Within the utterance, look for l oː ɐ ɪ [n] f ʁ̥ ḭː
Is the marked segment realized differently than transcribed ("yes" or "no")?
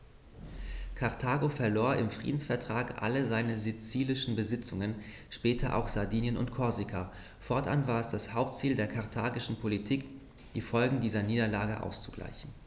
yes